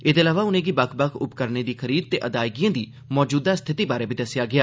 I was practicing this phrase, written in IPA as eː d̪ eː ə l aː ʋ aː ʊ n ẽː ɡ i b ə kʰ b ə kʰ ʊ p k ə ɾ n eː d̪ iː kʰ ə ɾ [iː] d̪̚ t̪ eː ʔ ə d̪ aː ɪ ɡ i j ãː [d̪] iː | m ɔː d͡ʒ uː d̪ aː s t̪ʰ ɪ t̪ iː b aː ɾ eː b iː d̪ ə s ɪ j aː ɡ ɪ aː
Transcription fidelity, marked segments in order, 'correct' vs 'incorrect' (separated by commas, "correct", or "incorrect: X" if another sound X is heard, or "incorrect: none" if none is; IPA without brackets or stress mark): correct, correct